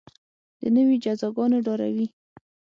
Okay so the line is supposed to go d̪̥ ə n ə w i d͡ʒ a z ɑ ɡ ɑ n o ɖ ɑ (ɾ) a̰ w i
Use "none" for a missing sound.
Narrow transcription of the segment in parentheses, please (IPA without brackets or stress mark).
ɾ